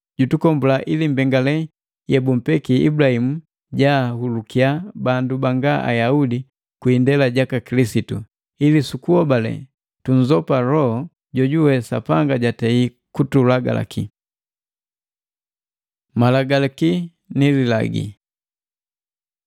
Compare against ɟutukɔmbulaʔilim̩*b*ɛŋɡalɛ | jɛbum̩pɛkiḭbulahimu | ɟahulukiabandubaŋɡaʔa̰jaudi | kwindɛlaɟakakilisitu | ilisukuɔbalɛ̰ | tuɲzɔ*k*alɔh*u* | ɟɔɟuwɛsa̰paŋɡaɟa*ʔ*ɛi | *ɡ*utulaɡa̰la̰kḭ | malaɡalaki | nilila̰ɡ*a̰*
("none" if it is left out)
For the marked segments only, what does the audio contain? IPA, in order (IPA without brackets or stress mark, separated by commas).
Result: b, p, ɔ, t, k, ḭ